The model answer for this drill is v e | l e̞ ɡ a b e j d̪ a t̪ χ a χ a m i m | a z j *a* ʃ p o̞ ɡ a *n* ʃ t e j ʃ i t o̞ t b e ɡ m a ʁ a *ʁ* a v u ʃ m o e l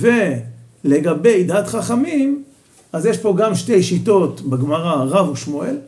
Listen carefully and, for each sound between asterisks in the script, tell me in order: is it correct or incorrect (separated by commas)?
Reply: incorrect, incorrect, correct